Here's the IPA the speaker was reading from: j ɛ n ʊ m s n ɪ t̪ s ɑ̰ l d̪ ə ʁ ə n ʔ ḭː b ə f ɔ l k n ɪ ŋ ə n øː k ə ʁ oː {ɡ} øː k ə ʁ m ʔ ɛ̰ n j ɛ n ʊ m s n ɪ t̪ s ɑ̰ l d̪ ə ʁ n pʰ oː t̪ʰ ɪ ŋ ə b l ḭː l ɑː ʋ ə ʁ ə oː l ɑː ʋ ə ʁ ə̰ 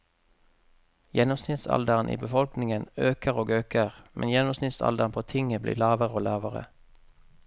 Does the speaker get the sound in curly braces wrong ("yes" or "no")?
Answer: no